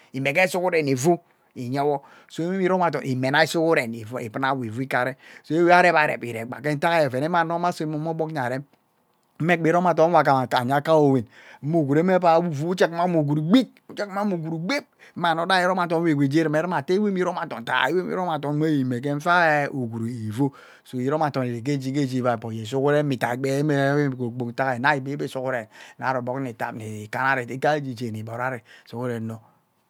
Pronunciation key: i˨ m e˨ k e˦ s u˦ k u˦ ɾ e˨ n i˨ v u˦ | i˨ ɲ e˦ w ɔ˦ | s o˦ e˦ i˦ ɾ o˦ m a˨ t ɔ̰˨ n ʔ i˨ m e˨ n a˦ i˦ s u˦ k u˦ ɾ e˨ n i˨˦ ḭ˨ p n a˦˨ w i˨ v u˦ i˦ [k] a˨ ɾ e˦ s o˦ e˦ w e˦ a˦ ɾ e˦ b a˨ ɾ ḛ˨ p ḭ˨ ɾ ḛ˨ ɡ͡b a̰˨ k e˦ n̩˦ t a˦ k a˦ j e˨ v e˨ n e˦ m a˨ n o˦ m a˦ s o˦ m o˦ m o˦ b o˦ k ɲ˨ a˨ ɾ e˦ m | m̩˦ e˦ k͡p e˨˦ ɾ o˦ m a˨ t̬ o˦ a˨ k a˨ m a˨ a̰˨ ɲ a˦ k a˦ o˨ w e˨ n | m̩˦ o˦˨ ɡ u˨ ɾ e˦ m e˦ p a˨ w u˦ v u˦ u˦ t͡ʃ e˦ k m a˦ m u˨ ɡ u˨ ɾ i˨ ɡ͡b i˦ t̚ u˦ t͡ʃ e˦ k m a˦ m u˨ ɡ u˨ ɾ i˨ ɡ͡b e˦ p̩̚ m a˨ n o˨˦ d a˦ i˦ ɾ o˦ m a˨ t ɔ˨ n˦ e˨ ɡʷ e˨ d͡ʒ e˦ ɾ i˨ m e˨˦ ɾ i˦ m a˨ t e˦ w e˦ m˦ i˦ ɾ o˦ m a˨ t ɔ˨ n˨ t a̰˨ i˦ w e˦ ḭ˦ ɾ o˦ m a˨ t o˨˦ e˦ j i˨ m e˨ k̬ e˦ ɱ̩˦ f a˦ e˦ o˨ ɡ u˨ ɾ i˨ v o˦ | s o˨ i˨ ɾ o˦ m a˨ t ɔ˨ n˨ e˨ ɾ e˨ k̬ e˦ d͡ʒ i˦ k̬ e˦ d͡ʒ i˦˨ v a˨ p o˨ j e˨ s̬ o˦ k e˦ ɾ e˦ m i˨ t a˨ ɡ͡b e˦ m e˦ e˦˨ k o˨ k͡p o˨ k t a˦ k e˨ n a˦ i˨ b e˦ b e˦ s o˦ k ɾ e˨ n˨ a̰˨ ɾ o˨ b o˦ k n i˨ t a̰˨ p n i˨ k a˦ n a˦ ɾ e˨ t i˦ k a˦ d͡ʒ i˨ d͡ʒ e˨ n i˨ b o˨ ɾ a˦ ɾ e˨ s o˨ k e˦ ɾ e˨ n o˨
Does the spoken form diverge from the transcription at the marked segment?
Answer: no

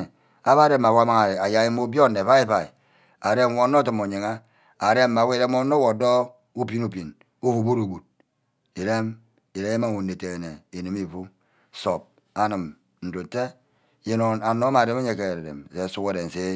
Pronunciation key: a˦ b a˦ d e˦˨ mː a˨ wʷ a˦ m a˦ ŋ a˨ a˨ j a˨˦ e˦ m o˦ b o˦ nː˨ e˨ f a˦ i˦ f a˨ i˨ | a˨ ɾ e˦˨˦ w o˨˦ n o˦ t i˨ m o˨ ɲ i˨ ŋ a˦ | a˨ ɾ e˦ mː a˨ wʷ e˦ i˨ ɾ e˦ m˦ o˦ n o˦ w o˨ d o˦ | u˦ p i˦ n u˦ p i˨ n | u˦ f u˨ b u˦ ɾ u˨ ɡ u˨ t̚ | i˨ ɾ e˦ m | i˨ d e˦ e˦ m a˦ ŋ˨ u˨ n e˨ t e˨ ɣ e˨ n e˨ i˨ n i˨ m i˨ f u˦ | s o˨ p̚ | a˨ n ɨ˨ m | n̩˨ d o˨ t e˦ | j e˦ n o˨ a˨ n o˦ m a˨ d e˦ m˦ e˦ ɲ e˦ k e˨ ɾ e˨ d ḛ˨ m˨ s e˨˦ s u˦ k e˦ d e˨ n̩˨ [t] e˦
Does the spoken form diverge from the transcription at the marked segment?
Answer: yes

